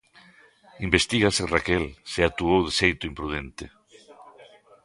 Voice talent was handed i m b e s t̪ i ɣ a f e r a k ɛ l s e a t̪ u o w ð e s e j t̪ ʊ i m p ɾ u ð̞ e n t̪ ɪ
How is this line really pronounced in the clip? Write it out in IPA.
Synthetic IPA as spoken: i m b e s t̪ i ɣ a s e r a k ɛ l s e a t̪ u o w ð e s e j t̪ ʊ i m p ɾ u ð̞ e n t̪ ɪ